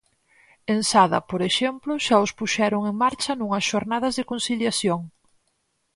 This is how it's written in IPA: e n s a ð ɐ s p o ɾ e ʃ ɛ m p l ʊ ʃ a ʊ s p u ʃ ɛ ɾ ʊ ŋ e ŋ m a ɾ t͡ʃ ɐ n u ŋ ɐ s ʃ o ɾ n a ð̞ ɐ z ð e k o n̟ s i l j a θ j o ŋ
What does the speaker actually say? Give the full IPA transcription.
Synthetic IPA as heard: e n s a ð ɐ p o ɾ e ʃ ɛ m p l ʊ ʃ a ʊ s p u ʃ ɛ ɾ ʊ ŋ e ŋ m a ɾ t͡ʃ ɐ n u ŋ ɐ s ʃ o ɾ n a ð̞ ɐ z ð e k o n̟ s i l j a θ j o ŋ